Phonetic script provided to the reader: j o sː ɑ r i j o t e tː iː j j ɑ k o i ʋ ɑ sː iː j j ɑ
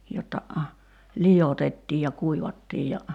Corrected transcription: j o tː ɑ l i j o t e tː iː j j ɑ k u i ʋ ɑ tː iː j j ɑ